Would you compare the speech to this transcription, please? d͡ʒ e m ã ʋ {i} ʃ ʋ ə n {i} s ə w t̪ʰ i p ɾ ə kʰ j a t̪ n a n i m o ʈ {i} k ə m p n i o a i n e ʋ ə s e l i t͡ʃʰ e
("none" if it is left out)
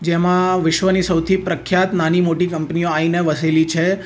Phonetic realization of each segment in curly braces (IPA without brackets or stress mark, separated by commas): ɪ, i, i